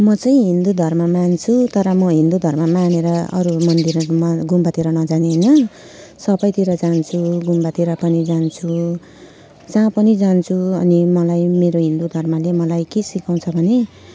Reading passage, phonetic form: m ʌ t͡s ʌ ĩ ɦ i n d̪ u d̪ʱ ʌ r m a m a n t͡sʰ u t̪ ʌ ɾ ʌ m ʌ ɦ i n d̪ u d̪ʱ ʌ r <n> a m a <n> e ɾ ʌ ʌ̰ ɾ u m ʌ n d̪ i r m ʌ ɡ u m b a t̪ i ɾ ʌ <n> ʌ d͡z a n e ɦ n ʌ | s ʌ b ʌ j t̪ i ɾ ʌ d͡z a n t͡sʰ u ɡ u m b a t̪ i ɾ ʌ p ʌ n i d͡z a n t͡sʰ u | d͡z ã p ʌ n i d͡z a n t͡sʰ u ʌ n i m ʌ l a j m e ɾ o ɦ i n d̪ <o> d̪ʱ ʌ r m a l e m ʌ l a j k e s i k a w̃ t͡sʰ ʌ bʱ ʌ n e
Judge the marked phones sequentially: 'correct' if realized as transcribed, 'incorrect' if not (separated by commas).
incorrect, correct, correct, incorrect